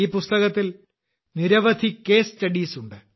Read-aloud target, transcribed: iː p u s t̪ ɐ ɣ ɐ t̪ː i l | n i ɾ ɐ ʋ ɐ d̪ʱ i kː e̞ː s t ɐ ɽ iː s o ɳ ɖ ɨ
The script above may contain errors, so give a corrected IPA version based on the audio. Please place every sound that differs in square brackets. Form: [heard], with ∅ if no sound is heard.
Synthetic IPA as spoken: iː p u s t̪ ɐ ɣ ɐ t̪ː i l | n i ɾ ɐ ʋ ɐ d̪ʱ i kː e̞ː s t ɐ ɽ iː s [u] ɳ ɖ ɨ